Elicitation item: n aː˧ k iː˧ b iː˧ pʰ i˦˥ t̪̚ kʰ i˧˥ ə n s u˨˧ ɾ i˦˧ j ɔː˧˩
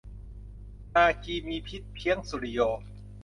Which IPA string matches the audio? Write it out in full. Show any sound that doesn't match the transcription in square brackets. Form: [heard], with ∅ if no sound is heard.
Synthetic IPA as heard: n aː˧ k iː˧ [m] iː˧ pʰ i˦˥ t̪̚ [pʰ] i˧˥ ə [ŋ] s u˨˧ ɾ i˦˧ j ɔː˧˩